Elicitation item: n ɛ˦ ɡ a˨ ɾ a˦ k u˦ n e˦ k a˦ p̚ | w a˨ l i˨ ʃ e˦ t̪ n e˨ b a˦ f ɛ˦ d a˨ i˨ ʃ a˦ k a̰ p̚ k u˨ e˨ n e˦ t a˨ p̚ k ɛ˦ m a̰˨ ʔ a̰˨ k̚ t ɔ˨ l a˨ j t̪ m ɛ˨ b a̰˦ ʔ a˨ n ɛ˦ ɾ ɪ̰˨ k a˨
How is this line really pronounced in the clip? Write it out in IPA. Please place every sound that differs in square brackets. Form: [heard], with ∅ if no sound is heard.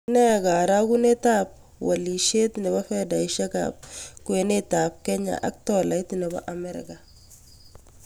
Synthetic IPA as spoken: n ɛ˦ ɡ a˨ ɾ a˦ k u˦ n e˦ [t] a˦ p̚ | w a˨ l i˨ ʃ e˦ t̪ n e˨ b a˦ f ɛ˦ d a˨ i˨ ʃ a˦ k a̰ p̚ k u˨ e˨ n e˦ t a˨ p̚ k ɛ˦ [ɲ] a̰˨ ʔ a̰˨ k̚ t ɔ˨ l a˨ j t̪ [n] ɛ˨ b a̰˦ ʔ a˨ [m] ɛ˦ ɾ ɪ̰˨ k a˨